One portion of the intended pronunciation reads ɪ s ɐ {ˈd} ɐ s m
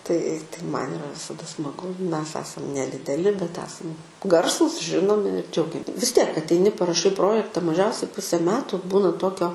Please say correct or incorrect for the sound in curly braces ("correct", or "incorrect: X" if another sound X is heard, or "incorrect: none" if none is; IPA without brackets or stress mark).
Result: correct